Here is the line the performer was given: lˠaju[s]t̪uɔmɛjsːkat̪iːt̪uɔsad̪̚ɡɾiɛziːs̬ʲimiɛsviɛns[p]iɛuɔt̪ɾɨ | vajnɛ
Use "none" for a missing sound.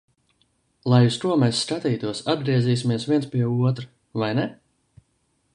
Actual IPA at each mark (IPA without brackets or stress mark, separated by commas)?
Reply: s, p